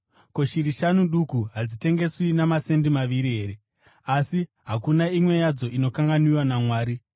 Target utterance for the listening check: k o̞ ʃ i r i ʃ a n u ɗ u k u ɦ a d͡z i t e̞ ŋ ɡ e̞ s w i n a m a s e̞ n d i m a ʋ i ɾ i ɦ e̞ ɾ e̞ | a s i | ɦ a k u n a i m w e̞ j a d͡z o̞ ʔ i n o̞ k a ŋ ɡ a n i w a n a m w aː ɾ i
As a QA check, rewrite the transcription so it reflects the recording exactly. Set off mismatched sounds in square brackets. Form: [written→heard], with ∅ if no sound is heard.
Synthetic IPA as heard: k o̞ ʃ i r i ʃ a n u ɗ u k u ɦ a d͡z i t e̞ ŋ ɡ e̞ s w i n a m a s e̞ n d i m a ʋ i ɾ i ɦ e̞ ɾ e̞ | a s i | ɦ a k u n a i m w e̞ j a d͡z o̞ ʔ i n o̞ k a ŋ ɡ a n i w a n a m w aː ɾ i